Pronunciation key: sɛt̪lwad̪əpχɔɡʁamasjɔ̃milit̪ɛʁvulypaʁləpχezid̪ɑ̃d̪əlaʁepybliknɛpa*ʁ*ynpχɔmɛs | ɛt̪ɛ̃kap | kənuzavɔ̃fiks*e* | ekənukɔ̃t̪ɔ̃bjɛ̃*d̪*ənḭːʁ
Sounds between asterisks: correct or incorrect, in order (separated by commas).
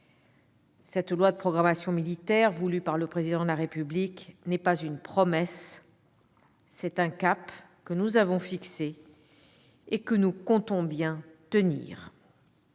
incorrect, correct, incorrect